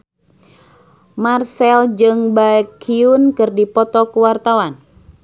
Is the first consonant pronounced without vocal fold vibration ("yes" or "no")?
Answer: no